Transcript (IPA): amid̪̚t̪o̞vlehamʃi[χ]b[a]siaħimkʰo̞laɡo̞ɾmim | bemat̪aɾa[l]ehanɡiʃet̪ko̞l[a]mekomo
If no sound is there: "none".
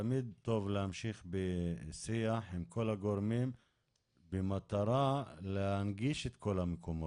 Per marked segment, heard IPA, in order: χ, e, l, a

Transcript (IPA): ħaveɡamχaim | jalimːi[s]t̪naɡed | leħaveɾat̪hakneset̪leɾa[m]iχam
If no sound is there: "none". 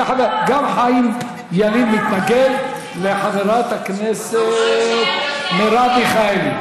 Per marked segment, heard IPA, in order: none, b

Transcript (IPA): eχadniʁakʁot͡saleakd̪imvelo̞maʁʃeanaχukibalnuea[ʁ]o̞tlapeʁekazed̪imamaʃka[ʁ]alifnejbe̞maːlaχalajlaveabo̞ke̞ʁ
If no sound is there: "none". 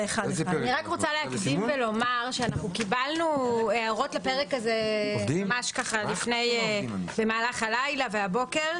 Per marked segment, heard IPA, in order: ʁ, χ

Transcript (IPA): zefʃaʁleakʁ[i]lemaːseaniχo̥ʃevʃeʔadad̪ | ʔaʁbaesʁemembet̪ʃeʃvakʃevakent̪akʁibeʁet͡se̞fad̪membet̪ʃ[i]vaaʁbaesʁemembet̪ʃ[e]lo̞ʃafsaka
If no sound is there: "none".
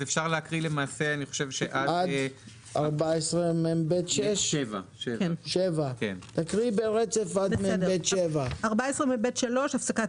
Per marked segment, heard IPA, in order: i, e, a

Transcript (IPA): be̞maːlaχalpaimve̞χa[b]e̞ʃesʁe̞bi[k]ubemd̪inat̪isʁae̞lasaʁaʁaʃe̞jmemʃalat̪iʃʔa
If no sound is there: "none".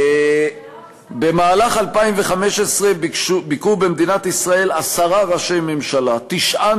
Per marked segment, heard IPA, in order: m, k

